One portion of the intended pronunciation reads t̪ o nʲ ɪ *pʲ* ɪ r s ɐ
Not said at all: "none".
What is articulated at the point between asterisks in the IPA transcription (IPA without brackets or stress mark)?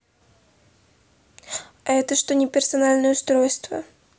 pʲ